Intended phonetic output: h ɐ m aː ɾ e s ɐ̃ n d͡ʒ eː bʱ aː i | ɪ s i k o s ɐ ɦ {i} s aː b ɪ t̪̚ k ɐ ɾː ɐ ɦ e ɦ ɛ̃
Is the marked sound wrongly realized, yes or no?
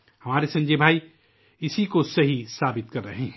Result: no